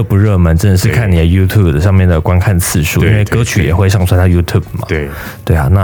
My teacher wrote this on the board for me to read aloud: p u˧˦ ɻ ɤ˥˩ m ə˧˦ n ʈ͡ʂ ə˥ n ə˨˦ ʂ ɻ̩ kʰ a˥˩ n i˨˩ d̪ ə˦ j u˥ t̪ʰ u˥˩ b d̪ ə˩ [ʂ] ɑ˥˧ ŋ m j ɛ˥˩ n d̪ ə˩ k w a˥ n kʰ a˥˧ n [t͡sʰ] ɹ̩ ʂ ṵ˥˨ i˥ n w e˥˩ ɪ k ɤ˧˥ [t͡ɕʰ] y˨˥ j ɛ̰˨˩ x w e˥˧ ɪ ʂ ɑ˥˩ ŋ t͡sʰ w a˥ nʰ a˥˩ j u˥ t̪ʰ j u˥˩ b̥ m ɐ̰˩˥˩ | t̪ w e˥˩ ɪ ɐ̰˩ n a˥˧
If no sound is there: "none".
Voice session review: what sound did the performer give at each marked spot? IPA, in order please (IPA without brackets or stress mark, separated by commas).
ʂ, t͡sʰ, t͡ɕʰ